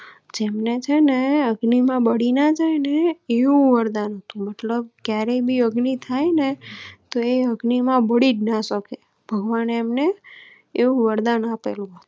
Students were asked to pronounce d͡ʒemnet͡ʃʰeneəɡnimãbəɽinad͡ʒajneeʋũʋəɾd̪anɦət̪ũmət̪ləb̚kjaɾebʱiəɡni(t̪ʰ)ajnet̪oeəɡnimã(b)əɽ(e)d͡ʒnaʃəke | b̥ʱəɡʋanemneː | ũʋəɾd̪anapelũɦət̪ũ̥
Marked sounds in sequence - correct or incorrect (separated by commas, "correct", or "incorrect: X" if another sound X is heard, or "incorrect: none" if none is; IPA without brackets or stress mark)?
correct, correct, incorrect: i